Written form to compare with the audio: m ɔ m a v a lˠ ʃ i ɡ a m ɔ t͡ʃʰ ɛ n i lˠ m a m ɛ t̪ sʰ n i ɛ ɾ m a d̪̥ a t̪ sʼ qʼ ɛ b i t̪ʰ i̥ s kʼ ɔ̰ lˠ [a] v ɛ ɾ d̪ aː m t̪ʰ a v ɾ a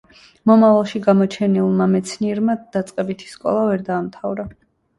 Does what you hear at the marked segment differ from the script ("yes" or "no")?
no